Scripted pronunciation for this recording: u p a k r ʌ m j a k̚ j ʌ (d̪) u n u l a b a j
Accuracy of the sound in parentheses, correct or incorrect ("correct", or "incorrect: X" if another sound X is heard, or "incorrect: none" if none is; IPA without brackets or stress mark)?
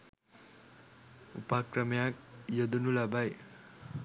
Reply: correct